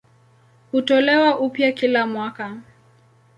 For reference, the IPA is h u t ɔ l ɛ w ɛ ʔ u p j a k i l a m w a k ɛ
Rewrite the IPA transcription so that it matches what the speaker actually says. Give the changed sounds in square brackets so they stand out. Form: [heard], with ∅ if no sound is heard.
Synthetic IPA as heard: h u t ɔ l ɛ w [a] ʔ u p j a k i l a m w a k [a]